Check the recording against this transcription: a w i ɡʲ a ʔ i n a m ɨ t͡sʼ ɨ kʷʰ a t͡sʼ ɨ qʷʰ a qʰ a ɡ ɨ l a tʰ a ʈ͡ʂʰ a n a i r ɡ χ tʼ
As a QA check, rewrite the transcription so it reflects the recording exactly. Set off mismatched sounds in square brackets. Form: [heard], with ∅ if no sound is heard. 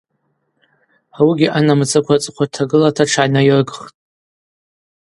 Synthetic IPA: a w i ɡʲ [i] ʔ [a] n a m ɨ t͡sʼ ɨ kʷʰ a t͡sʼ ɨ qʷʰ a [tʰ] a ɡ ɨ l a tʰ a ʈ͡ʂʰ a n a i r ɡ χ tʼ